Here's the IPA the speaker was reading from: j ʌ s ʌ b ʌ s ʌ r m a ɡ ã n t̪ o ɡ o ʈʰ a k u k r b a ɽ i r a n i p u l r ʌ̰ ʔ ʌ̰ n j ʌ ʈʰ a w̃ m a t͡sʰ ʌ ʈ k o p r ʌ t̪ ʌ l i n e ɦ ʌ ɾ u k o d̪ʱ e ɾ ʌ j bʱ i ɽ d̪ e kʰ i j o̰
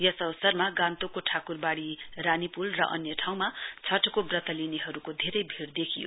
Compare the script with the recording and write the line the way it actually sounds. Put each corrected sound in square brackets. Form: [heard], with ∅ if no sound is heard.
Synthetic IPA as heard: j ʌ s ʌ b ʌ s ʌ r m a ɡ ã n t̪ o [k] o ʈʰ a k u [∅] r b a ɽ i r a n i p u l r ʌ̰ ʔ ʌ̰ n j ʌ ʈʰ a w̃ m a t͡sʰ ʌ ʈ k o [b] r ʌ t̪ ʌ l i n e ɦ ʌ ɾ u k o d̪ʱ e ɾ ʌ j bʱ i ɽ d̪ e kʰ i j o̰